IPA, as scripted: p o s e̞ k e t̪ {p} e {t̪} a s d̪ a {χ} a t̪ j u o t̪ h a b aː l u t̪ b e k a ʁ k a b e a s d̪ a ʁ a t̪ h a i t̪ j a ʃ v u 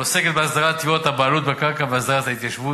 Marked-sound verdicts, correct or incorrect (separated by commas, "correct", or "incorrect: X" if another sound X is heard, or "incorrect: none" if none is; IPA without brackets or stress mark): incorrect: b, incorrect: none, incorrect: ʁ